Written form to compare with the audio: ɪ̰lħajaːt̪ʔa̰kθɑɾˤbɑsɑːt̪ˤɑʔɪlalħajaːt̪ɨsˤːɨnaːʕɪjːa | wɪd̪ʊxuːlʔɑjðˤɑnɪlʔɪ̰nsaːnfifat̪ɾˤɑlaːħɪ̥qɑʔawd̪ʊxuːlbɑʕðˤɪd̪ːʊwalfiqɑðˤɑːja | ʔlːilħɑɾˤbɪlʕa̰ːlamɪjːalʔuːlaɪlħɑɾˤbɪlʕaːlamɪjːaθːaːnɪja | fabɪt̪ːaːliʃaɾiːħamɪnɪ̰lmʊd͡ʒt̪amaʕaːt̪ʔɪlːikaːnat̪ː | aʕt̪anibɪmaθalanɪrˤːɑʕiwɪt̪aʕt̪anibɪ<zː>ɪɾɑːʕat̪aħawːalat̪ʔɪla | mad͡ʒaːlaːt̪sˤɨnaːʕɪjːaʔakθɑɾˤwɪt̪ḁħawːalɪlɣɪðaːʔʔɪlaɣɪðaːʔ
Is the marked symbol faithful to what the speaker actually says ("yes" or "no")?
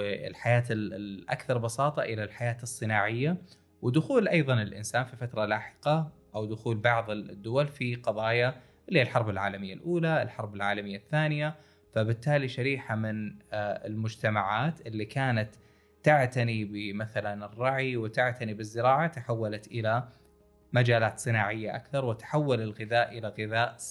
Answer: yes